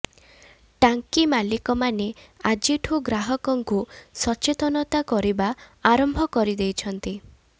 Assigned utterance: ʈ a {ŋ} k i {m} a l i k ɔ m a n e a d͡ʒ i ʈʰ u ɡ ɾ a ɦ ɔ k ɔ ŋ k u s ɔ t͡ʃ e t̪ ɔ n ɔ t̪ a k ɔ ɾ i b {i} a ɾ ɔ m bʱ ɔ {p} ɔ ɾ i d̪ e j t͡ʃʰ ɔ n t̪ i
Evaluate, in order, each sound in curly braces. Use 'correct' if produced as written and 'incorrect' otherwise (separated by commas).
correct, correct, incorrect, incorrect